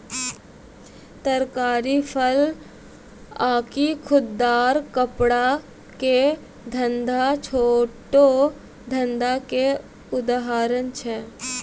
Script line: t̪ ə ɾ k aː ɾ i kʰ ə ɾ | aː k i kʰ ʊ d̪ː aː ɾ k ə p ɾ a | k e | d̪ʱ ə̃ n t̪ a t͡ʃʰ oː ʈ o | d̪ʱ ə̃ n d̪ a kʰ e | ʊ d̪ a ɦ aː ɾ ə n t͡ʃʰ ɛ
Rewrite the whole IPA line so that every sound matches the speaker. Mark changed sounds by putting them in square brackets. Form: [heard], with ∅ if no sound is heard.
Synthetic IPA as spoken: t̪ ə ɾ k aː ɾ i [pʰ] ə [l] | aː k i kʰ ʊ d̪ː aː ɾ k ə p [ɽ] a | k e | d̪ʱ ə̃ n [d̪] a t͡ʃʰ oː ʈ o | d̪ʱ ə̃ n d̪ a [k] e | ʊ d̪ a ɦ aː ɾ ə n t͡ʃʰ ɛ